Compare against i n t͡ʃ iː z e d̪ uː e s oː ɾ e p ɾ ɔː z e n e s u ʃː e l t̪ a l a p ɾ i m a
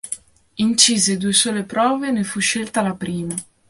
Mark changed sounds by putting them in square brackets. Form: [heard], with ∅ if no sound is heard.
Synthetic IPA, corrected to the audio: i n t͡ʃ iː z e d̪ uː e s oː [l] e p ɾ ɔː [v] e n e [f] u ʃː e l t̪ a l a p ɾ [iː] m a